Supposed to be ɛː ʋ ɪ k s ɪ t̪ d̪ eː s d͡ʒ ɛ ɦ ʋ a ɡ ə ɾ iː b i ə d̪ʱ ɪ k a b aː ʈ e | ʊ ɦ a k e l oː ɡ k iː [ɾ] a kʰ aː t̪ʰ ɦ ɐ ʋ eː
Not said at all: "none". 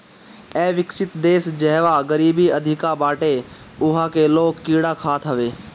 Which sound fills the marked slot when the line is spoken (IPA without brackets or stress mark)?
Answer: ɽ